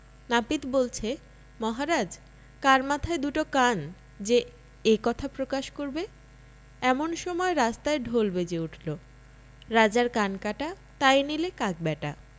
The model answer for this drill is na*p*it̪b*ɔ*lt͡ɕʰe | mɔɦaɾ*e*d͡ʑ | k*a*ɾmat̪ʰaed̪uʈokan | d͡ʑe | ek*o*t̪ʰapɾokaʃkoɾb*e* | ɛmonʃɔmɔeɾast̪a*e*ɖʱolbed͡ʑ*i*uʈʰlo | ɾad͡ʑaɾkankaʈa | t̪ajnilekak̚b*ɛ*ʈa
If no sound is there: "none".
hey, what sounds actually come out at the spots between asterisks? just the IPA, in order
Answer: p, o, a, a, ɔ, e, e, e, ɛ

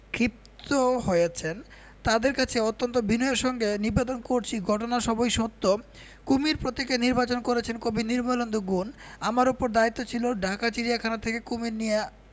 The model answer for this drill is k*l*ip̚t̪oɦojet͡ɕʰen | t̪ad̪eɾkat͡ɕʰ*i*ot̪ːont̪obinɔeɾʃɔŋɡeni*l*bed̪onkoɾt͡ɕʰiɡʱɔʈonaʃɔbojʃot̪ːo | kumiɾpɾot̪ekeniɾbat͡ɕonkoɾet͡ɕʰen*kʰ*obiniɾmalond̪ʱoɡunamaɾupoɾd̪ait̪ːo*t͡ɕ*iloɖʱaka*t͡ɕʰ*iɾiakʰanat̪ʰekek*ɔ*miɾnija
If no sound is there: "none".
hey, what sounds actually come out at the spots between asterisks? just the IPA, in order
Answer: ɾ, e, ɾ, k, t͡ɕʰ, t͡ɕ, u

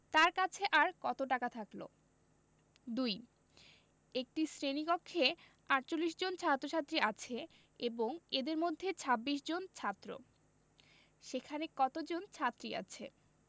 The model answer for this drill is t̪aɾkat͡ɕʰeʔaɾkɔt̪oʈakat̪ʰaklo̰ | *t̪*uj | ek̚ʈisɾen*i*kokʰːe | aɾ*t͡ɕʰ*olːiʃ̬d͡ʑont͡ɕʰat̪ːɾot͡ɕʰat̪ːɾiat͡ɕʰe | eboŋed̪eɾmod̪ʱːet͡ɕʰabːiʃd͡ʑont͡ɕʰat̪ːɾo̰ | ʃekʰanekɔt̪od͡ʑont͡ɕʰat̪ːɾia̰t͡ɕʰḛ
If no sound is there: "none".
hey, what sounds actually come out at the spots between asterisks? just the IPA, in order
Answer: d̪, i, t͡ɕ

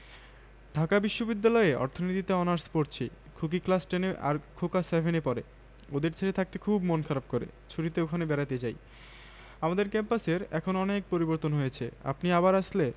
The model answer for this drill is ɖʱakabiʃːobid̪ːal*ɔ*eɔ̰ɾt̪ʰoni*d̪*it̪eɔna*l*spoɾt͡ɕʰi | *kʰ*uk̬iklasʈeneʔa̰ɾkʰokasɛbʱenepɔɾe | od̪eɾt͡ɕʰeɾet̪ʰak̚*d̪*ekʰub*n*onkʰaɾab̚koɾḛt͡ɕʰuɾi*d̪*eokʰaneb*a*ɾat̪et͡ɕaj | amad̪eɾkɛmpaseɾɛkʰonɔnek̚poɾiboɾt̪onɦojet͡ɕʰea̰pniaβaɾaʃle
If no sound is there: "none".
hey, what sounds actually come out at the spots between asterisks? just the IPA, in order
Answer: ɔ, t̪, ɾ, kʰ, t̪, m, t̪, ɛ

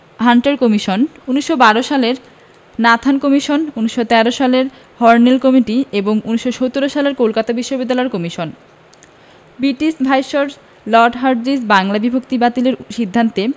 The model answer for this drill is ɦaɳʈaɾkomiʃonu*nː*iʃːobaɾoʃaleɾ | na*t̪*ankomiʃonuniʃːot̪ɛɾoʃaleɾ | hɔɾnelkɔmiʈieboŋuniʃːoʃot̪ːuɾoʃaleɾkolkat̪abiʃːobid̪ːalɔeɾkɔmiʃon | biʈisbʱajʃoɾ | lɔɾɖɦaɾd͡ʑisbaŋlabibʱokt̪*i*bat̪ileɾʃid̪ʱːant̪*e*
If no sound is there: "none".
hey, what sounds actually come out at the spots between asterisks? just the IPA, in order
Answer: n, t̪ʰ, i, e

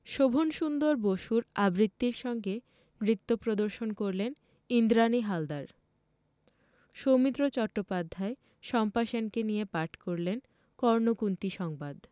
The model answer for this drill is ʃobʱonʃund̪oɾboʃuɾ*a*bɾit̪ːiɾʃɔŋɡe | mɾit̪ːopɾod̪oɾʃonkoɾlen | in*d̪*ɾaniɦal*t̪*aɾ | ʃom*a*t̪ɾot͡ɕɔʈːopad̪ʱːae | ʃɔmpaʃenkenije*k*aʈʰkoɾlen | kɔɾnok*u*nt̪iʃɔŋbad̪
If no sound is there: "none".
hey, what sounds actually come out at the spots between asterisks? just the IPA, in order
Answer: a, d̪, d̪, i, p, u

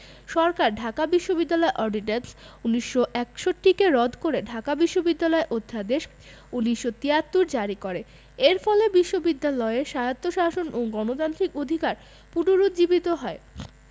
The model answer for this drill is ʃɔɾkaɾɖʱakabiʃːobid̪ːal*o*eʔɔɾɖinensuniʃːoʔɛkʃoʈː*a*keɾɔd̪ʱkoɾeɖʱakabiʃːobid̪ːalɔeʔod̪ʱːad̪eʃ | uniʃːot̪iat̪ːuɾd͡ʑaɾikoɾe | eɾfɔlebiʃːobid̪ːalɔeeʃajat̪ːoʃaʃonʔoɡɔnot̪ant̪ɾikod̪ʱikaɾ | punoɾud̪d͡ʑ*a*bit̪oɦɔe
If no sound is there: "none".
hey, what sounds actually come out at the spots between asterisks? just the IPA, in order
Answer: ɔ, i, i

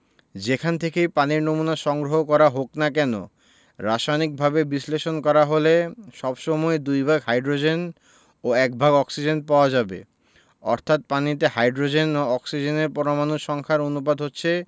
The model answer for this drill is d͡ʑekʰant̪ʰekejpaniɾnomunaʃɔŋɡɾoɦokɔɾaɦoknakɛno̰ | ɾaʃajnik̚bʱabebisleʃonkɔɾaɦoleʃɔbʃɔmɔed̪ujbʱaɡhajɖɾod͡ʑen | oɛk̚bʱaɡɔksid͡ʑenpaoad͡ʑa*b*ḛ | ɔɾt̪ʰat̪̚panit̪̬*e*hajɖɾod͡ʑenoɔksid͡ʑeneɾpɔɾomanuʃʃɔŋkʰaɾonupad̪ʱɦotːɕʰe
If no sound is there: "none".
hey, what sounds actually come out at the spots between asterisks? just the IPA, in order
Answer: b, e

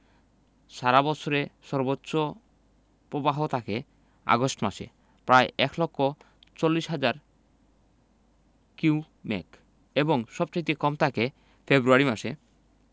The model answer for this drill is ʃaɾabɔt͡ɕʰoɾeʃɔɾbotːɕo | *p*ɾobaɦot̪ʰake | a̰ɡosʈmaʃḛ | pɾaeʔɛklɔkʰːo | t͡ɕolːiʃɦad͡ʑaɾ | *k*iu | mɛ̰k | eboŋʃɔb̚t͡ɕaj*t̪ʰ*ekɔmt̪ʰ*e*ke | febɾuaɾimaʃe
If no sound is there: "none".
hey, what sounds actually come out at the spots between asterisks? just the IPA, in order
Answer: p, k, t̪, a

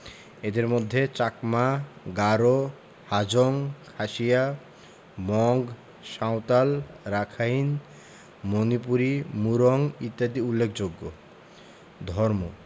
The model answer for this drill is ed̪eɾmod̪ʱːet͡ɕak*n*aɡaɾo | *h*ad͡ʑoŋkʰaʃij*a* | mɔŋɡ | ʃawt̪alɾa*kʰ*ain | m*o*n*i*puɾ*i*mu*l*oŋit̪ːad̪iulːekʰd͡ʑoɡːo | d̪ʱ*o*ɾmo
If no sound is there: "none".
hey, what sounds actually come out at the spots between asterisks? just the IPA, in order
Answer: m, h, a, kʰ, o, i, i, ɾ, ɔ

